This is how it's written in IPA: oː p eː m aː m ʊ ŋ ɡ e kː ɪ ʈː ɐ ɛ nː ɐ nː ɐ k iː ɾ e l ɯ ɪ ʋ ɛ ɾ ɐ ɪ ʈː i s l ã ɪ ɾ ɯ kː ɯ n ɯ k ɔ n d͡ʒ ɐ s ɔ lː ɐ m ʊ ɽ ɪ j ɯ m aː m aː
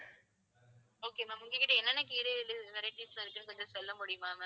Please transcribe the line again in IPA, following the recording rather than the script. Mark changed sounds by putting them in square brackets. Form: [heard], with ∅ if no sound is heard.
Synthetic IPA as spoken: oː [k] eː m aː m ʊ ŋ ɡ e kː ɪ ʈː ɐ ɛ nː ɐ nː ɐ k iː ɾ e l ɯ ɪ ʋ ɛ ɾ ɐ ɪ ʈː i s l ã ɪ ɾ ɯ kː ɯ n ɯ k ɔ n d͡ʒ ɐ s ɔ lː ɐ m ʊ ɽ ɪ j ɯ m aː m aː